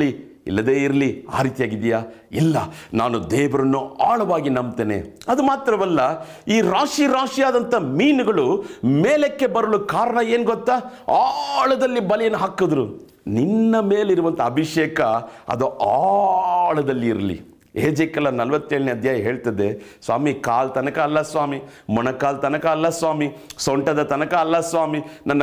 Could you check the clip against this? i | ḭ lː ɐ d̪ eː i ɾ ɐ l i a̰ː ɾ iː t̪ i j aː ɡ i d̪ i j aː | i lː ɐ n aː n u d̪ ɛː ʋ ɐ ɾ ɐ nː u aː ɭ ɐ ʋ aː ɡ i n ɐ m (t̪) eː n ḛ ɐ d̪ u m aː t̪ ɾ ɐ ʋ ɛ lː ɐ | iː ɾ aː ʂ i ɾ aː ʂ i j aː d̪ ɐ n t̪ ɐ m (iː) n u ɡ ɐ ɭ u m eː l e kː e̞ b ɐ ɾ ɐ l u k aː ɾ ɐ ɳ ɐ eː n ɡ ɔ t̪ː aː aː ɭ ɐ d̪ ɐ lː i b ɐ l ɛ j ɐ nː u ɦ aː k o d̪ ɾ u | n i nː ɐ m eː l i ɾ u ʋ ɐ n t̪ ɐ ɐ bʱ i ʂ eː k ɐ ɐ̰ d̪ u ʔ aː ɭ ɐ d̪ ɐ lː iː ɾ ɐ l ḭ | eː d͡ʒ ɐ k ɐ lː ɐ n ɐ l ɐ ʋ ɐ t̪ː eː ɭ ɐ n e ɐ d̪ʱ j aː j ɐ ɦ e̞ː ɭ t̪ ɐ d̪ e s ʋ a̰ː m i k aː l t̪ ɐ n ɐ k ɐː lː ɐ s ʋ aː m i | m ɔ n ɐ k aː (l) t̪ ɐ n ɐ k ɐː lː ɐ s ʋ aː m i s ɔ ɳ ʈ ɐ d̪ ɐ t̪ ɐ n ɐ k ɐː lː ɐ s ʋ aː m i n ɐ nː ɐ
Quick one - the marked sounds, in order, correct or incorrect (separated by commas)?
correct, correct, correct